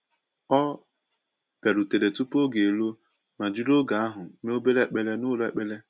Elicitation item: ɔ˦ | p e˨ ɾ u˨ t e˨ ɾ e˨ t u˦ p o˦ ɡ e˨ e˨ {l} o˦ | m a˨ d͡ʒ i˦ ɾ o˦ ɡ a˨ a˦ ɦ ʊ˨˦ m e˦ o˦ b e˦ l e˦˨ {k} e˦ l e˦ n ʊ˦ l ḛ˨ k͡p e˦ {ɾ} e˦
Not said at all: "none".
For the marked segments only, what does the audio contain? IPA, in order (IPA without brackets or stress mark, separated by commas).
l, k͡p, l